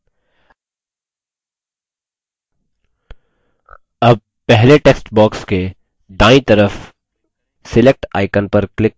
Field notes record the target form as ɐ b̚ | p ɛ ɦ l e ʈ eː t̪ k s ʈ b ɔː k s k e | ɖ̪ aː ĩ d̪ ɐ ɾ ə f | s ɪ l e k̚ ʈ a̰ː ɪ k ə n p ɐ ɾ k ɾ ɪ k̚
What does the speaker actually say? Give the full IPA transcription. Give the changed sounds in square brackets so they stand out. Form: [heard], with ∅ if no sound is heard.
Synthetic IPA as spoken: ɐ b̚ | p ɛ ɦ l e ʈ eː [∅] k s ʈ b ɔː k s k e | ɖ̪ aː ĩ [t̪] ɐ ɾ ə f | s ɪ l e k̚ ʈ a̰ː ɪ k ə n p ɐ ɾ k [l] ɪ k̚